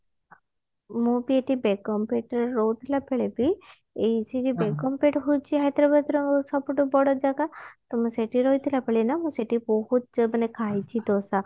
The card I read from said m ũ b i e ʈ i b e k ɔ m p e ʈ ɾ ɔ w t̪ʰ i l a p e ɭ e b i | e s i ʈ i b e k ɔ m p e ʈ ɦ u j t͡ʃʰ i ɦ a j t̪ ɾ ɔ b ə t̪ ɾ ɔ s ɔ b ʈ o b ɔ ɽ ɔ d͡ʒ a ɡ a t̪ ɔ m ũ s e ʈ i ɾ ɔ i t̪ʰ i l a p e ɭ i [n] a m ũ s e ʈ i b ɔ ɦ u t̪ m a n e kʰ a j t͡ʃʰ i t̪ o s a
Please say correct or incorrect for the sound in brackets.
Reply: correct